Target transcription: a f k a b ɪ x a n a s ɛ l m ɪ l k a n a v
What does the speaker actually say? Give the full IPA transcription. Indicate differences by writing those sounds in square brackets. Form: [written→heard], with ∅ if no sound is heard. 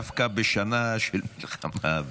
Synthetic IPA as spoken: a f k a b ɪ [x→ʃ] a n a [s→ʃ] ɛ l m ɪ l [k→x] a [n→m] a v